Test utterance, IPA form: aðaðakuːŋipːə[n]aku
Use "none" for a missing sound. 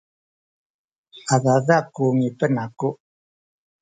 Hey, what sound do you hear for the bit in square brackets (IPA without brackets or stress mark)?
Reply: n